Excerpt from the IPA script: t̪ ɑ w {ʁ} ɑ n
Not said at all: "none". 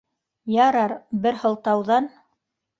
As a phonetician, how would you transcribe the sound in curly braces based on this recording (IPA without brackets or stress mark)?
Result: ð